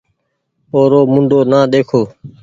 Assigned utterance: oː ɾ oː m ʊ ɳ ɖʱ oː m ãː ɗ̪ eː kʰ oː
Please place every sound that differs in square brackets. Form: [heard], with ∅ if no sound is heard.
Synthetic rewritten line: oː ɾ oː m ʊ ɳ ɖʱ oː [n] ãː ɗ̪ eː kʰ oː